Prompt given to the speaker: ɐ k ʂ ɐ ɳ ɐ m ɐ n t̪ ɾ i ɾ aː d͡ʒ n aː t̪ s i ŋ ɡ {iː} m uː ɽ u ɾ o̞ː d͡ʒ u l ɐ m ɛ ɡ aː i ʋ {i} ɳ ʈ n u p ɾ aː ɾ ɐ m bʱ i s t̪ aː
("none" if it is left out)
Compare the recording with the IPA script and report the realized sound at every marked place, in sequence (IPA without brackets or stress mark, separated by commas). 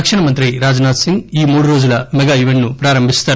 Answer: iː, e